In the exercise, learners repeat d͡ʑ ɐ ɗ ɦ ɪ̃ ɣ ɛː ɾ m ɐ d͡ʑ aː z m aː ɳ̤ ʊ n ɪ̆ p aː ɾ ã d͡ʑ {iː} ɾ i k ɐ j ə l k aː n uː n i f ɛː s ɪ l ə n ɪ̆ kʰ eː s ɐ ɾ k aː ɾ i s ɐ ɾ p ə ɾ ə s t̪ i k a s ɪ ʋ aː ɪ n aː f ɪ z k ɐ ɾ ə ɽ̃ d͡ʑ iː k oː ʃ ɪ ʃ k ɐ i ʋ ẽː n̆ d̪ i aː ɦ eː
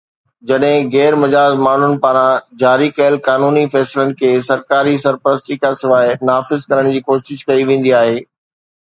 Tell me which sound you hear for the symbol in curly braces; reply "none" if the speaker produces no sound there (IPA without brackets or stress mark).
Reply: aː